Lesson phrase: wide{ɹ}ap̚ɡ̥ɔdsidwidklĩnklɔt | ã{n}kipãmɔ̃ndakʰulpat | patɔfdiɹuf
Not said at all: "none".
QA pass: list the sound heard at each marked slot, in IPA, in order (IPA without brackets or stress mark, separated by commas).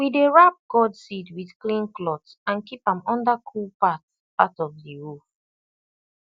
ɹ, n